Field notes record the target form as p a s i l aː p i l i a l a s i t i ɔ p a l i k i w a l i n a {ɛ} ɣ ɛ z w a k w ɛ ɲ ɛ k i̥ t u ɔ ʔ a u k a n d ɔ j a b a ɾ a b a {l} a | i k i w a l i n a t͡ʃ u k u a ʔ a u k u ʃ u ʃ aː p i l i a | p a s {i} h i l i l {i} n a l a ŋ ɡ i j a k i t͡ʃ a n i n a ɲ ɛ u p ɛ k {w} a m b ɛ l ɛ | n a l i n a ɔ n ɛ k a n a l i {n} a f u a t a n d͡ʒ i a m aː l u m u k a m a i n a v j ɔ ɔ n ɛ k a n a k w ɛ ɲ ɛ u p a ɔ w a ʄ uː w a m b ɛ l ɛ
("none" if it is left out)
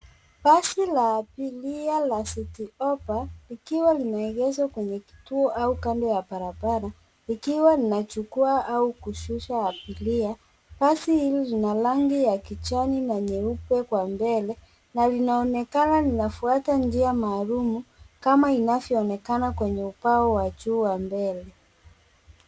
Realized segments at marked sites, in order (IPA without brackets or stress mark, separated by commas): ɛ, ɾ, i, i, w, n